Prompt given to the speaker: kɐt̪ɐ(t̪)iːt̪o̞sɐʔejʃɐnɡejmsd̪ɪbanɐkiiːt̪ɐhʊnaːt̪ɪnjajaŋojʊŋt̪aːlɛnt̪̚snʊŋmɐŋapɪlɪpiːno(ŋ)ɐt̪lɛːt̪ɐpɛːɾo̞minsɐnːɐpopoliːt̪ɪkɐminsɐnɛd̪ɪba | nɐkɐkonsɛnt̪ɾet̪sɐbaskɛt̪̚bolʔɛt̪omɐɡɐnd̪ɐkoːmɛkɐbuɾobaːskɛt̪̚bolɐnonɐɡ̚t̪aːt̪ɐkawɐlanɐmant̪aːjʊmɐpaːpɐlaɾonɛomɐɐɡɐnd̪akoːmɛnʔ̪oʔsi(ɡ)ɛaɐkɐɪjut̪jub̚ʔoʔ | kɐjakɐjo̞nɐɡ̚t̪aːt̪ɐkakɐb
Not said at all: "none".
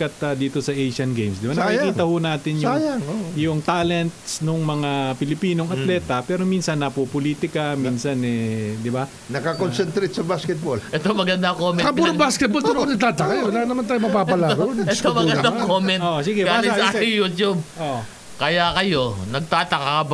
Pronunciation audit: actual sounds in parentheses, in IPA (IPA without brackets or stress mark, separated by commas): d̪, ŋ, ɡ